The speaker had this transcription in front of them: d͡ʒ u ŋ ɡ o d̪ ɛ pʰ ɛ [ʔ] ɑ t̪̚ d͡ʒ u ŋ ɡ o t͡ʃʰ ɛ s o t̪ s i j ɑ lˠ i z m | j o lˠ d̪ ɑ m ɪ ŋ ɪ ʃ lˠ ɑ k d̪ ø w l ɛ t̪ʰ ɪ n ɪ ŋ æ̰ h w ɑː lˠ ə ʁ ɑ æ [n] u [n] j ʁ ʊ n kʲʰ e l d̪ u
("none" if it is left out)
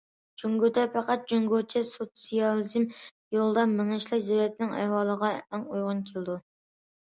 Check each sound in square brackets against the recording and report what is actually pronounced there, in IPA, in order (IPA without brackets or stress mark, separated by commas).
q, ŋ, none